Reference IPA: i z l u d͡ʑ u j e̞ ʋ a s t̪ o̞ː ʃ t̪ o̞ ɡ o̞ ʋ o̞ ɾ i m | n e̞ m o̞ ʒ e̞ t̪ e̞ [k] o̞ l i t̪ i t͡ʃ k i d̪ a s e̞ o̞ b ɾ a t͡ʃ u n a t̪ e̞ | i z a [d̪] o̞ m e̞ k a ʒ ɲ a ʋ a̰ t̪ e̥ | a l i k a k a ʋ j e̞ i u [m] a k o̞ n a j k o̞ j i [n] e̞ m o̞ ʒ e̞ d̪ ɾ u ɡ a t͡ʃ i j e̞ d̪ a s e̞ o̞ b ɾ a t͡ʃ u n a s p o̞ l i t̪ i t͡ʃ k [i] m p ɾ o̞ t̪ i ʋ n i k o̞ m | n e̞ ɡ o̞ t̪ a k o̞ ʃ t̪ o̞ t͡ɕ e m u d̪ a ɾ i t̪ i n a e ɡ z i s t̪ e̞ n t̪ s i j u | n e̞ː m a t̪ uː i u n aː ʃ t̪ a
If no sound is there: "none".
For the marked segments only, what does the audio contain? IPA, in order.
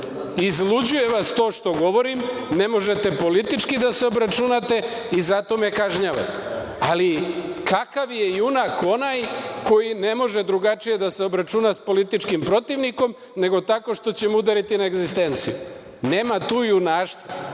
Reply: p, t̪, n, n, i

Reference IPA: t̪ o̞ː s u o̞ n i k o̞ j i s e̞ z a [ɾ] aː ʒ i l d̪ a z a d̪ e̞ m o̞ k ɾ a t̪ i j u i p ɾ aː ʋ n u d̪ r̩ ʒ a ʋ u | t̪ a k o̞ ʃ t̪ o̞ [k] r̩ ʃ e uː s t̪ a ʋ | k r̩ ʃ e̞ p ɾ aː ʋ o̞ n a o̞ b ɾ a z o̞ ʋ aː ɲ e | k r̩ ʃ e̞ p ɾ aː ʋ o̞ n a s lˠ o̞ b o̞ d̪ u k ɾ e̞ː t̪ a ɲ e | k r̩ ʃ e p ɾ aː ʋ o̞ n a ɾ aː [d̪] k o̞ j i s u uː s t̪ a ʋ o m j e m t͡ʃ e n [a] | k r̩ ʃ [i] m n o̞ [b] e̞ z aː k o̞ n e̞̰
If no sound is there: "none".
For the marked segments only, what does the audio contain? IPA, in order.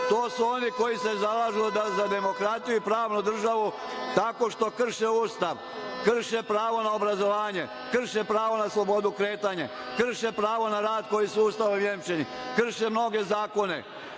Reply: l, k, d̪, i, e, ɡ

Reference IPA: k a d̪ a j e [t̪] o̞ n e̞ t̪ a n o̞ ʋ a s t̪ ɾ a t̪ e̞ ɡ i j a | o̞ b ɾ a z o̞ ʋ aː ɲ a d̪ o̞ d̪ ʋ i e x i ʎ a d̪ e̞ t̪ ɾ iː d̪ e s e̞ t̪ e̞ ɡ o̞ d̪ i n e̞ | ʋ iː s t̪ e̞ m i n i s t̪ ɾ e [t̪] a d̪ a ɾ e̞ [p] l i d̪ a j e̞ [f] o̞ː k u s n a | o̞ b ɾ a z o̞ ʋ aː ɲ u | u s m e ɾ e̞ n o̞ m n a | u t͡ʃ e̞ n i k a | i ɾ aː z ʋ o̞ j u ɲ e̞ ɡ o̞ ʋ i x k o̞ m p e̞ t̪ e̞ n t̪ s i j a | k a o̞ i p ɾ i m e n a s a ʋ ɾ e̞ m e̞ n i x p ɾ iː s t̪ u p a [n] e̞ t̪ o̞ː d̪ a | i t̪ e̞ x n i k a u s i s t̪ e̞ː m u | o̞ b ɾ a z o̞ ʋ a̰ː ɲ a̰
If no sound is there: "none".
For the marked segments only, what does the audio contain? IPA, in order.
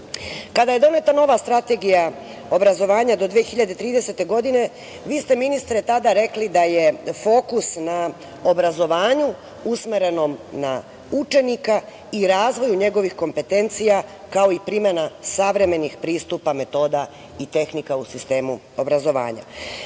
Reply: d̪, t̪, k, f, m

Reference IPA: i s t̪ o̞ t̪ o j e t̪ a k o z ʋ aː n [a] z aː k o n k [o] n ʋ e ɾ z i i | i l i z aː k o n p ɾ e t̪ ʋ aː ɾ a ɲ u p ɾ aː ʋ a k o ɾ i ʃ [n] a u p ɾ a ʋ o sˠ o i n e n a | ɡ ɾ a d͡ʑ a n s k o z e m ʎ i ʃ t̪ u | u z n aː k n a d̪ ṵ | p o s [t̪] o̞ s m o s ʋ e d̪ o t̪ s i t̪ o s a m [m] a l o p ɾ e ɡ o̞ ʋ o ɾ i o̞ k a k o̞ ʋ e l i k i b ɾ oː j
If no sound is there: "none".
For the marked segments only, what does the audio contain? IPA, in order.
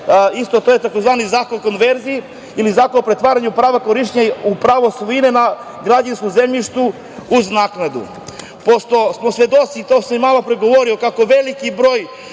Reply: i, o, ɲ, t̪, m

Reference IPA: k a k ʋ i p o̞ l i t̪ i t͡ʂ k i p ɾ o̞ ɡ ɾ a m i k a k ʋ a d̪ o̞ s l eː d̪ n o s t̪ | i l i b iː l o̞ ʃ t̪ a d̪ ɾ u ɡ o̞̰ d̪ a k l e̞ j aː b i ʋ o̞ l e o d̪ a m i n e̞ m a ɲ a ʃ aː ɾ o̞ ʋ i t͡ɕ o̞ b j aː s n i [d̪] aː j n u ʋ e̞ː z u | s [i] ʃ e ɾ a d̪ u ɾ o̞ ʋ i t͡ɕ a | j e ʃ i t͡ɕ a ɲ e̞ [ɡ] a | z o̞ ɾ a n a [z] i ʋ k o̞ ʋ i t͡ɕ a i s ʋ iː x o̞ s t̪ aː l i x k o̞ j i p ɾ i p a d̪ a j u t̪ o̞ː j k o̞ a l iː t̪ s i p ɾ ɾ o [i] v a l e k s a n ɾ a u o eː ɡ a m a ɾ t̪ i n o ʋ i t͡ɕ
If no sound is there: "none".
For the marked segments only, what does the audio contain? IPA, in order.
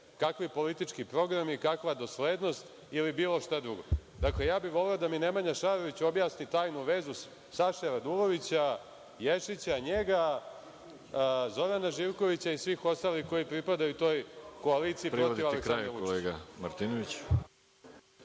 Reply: t̪, a, ɡ, ʒ, i

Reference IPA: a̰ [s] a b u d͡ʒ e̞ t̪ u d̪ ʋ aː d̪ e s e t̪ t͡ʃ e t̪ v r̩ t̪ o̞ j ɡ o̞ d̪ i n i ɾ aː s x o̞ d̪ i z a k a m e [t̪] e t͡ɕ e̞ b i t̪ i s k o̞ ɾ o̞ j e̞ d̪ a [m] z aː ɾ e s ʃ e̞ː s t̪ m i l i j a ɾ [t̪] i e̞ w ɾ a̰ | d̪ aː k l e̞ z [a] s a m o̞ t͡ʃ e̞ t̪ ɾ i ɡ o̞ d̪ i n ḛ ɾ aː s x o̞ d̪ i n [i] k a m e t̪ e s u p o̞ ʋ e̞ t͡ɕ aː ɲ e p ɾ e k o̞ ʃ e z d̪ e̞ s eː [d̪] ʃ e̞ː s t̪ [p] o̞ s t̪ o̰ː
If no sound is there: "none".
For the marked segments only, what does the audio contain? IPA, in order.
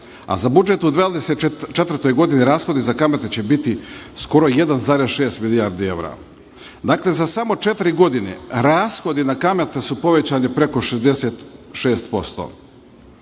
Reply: z, t̪, n, d̪, a, a, t̪, p

